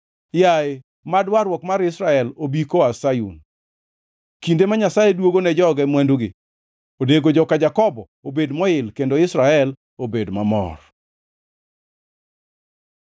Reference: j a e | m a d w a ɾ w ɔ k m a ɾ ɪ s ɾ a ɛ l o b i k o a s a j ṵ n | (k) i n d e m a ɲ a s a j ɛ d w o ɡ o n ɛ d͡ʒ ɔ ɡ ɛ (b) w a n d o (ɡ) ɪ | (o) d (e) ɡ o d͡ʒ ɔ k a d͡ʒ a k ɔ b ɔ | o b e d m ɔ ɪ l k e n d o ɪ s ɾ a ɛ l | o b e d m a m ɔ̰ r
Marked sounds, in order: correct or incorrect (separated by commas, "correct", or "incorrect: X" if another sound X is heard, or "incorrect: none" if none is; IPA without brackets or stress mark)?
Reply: correct, incorrect: m, correct, correct, correct